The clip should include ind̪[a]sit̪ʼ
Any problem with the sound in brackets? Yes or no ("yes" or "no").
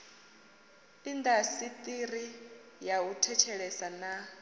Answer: no